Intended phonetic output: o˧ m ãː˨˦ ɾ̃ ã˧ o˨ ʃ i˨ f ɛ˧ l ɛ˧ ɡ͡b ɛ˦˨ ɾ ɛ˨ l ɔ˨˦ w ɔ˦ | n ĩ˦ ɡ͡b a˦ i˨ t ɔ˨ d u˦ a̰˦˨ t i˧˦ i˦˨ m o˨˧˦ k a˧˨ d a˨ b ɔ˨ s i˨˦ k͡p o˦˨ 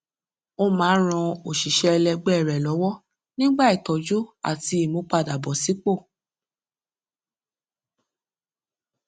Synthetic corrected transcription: o˧ m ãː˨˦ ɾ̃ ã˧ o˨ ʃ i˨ ʃ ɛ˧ l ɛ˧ ɡ͡b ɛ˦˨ ɾ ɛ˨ l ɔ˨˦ w ɔ˦ | n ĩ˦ ɡ͡b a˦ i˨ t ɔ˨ d͡ʒ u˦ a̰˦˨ t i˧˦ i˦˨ m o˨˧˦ k͡p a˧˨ d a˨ b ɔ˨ s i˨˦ k͡p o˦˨